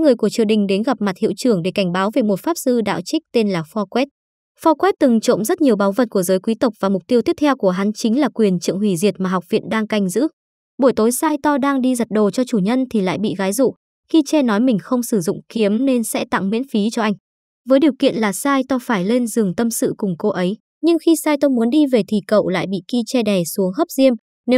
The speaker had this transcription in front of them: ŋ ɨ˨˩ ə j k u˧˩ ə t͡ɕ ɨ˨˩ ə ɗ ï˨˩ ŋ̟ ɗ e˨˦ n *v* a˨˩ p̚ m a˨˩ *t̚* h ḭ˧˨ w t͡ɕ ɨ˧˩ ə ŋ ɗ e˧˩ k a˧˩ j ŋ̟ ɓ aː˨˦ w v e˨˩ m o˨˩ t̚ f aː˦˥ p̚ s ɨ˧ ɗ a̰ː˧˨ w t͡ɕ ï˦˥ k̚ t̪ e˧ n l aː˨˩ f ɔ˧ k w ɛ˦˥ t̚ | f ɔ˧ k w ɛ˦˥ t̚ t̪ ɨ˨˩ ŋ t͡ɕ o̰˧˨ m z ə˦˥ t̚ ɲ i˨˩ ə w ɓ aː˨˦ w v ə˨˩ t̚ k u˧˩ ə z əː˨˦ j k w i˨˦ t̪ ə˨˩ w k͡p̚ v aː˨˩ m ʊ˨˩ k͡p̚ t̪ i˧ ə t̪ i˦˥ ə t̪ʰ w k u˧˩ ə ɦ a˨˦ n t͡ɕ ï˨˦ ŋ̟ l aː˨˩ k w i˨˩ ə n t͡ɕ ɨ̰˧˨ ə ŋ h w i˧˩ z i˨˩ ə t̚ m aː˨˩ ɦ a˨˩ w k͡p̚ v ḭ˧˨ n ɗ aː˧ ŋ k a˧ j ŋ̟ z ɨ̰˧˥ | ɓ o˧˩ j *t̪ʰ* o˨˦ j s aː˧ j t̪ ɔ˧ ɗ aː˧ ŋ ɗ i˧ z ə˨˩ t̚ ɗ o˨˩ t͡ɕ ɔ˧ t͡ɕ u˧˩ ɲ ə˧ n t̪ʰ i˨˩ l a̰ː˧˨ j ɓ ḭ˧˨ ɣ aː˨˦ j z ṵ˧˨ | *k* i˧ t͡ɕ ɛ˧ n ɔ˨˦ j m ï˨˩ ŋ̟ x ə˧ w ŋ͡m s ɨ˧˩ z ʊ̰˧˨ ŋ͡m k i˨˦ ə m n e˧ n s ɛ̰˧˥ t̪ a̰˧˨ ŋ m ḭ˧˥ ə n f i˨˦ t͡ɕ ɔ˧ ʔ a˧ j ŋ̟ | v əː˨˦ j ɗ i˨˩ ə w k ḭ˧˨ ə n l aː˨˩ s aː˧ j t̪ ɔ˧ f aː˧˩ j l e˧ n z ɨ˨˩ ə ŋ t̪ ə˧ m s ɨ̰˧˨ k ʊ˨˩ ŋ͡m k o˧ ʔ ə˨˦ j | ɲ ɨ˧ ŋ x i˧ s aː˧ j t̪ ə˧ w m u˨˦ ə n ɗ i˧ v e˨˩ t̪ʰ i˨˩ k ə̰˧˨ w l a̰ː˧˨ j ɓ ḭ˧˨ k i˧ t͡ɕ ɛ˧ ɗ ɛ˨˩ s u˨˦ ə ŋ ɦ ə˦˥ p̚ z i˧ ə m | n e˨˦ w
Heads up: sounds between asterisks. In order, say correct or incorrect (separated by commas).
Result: incorrect, correct, incorrect, incorrect